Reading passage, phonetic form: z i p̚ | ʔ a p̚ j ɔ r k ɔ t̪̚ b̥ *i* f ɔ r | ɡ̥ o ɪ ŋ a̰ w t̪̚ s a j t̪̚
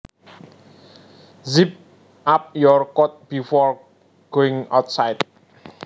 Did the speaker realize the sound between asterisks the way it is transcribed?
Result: yes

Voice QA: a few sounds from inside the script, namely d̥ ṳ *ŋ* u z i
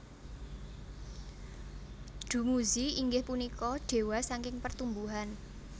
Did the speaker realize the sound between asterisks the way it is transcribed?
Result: no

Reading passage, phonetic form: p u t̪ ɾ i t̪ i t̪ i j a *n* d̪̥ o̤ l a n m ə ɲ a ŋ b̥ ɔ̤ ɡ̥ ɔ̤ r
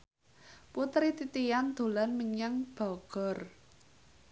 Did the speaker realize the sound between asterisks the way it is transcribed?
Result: yes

